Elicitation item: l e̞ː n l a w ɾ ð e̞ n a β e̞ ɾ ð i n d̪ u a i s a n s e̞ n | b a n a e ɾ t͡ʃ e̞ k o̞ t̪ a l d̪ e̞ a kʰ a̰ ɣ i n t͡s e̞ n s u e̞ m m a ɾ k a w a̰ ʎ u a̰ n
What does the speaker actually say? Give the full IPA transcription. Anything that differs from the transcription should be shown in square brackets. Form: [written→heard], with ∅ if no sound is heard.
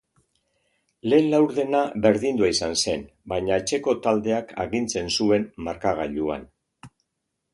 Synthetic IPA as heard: l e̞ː n l a w ɾ ð e̞ n a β e̞ ɾ ð i n d̪ u a i s a n s e̞ n | b a [n→ɲ] a e [ɾ→∅] t͡ʃ e̞ k o̞ t̪ a l d̪ e̞ a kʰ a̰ ɣ i n t͡s e̞ n s u e̞ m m a ɾ k a [w→ɣ] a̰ ʎ u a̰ n